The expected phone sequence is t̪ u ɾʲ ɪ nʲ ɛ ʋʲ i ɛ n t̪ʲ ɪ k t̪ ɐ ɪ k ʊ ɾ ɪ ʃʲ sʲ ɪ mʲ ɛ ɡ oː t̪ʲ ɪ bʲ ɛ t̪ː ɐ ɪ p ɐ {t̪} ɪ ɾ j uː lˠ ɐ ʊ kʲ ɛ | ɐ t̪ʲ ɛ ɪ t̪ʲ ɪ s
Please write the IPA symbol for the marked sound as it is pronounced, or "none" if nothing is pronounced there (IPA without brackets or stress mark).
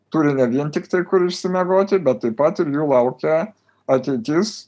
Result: t̪